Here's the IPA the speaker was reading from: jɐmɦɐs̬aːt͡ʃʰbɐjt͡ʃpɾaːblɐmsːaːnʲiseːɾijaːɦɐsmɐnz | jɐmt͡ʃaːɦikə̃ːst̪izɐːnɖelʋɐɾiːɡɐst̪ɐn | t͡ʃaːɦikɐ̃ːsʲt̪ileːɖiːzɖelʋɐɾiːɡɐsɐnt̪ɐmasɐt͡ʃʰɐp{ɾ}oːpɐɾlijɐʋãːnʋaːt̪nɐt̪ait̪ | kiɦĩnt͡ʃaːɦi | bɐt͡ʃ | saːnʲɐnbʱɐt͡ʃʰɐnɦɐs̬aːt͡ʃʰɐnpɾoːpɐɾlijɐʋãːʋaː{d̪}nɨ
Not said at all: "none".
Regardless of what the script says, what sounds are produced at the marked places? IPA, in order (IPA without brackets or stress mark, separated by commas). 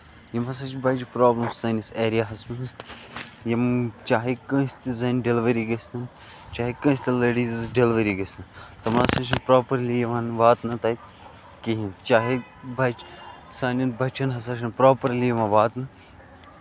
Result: ɾ, t̪